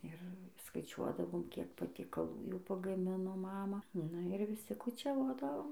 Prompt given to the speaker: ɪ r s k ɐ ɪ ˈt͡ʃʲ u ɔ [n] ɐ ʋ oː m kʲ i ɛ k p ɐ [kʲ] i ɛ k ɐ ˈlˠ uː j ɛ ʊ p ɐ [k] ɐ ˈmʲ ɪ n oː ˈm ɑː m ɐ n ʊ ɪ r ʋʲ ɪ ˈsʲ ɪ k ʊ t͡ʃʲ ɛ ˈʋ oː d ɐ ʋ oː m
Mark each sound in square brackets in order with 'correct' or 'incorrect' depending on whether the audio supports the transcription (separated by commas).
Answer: incorrect, incorrect, incorrect